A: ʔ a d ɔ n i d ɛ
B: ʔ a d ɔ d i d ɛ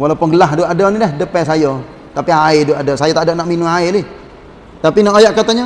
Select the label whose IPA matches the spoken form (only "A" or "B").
A